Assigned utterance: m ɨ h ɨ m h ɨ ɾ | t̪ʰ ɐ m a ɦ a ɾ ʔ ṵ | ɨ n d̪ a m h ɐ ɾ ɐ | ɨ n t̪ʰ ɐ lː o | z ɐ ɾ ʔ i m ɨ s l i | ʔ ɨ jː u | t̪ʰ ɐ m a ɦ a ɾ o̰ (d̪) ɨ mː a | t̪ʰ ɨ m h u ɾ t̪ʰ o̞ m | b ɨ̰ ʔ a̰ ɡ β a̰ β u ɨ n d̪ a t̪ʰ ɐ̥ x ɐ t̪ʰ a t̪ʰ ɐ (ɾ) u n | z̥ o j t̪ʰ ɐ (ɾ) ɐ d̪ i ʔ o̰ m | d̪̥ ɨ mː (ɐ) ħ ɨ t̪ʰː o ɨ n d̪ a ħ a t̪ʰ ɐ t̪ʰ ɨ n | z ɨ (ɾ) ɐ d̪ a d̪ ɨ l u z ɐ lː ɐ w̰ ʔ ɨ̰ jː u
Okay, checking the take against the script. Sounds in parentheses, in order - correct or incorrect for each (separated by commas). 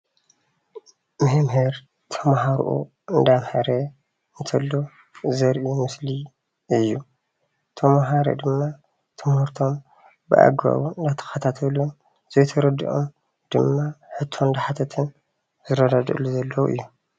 correct, incorrect, correct, incorrect, correct